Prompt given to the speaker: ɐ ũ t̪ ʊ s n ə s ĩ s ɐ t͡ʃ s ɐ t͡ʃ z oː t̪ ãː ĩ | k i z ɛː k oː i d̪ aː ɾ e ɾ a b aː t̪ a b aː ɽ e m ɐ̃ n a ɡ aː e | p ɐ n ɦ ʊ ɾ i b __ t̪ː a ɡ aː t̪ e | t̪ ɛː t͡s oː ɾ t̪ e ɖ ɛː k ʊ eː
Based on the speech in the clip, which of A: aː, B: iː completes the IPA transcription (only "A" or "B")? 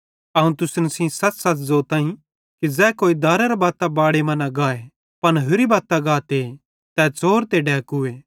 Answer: A